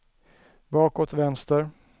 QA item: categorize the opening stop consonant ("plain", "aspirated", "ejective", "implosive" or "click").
plain